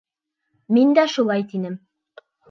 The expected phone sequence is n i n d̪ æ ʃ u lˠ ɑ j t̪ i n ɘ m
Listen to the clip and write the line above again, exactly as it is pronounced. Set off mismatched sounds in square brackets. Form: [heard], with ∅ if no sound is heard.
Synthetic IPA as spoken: [m] i n d̪ æ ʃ u lˠ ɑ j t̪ i n ɘ m